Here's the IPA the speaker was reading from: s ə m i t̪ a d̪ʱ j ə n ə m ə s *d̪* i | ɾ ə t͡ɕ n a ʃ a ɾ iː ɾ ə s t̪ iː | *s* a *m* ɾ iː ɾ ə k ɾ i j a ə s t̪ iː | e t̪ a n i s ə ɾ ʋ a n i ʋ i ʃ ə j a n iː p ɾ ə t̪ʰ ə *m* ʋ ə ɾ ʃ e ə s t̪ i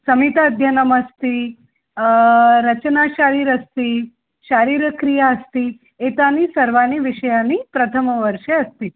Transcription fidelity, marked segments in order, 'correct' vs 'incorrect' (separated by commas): incorrect, incorrect, incorrect, correct